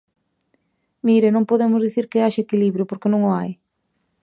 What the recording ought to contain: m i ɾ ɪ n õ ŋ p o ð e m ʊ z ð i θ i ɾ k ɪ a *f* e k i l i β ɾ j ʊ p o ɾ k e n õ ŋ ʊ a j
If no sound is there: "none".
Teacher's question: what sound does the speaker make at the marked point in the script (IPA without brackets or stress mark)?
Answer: ʃ